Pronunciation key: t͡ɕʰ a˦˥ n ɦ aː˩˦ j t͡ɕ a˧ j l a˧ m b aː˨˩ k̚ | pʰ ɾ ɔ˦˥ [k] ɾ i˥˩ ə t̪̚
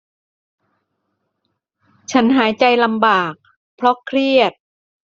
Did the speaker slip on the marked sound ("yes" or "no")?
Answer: yes